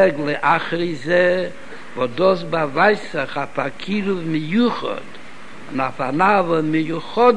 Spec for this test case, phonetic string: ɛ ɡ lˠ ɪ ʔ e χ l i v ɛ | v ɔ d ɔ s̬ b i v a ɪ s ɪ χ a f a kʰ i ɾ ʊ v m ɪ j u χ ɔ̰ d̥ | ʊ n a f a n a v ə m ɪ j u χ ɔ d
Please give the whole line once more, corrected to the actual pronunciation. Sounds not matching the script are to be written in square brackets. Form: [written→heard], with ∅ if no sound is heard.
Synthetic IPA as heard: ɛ ɡ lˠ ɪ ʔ [e→a] χ [l→ɾ] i [v→z] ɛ | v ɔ d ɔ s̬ b [i→a] v a ɪ s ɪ χ a f a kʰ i ɾ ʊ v m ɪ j u χ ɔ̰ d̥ | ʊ n a f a n a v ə m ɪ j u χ ɔ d